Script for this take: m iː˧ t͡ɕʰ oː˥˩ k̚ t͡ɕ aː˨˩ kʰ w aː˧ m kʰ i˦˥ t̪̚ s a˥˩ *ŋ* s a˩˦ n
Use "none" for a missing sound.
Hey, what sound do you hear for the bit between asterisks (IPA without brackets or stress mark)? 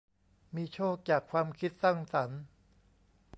ŋ